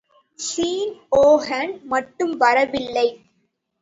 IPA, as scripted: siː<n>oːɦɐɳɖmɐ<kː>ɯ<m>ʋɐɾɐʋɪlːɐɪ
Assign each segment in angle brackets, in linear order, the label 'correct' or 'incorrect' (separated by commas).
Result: correct, incorrect, correct